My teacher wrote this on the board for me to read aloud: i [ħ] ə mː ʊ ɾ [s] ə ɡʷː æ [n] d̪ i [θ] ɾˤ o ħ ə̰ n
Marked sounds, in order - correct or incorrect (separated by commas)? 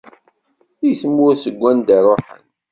incorrect, correct, correct, incorrect